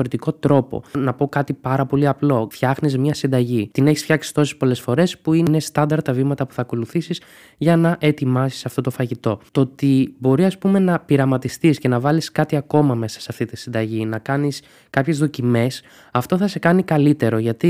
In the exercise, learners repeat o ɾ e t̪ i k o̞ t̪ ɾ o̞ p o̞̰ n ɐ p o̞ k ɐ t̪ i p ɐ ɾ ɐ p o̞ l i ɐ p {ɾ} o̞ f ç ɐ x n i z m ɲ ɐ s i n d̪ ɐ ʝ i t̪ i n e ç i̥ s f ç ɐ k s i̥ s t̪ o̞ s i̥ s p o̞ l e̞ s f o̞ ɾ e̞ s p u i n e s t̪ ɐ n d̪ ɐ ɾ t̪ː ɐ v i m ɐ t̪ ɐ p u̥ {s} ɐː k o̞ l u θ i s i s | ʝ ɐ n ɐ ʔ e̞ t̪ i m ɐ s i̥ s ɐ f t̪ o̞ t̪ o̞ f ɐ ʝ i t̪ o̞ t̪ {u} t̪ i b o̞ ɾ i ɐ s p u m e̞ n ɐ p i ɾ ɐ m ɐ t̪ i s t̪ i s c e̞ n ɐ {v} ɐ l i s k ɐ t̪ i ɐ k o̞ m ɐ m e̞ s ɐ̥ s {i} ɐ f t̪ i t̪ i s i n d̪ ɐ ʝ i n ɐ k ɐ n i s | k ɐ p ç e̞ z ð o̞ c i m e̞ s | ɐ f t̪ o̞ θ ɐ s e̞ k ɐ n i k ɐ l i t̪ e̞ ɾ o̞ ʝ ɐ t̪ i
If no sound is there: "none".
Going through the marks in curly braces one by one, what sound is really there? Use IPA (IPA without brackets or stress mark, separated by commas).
l, θ, o, v, e